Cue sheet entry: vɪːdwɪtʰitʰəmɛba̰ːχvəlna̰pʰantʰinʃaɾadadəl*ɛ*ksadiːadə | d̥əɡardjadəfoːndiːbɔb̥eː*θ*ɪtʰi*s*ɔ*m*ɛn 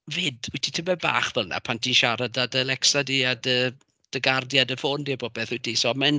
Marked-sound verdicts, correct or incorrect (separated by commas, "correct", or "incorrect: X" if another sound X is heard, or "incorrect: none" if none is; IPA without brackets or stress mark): correct, correct, correct, correct